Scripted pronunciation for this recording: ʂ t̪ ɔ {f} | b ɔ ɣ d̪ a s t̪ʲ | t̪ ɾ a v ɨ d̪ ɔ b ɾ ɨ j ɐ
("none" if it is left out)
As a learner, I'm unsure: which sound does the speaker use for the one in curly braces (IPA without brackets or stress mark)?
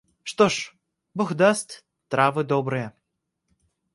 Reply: ʂ